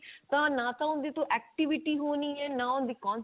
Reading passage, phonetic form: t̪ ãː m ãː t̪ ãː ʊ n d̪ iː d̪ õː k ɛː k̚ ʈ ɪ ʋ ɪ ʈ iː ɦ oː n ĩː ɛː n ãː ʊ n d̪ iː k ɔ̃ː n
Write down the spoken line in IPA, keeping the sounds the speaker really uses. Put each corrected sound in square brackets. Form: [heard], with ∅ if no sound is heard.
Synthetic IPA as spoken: t̪ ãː [n] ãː t̪ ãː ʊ n d̪ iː [t̪] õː [ʔ] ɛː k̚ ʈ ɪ ʋ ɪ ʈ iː ɦ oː n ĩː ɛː n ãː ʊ n d̪ iː k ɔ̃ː n